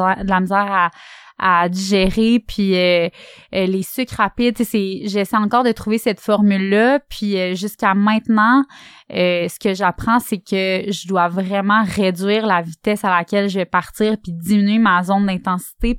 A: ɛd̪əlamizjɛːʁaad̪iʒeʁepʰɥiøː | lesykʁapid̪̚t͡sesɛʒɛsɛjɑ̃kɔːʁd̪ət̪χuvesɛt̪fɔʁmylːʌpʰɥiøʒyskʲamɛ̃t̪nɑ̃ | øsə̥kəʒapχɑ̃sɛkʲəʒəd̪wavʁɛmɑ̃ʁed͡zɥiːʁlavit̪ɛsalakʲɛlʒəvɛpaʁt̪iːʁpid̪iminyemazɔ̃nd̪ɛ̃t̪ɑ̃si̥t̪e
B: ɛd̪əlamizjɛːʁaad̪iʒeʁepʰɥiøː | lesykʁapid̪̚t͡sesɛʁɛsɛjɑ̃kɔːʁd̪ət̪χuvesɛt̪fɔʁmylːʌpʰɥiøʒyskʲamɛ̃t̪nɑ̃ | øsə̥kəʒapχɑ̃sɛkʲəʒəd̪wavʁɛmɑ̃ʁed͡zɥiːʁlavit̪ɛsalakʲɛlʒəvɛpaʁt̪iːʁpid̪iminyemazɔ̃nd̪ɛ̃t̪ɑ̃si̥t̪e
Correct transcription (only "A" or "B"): A